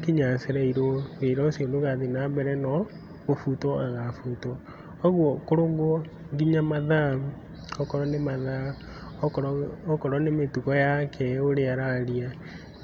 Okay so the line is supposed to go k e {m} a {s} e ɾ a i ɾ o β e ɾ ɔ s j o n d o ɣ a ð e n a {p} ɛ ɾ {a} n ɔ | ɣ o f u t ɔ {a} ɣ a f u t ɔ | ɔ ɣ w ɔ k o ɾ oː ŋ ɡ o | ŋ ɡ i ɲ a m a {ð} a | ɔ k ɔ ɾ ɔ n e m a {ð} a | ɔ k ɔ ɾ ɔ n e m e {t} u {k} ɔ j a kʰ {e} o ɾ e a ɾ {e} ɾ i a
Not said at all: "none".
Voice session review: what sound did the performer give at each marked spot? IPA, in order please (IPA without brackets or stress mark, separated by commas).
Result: ɲ, s, b, ɛ, a, ð, ð, t, k, ɛ, a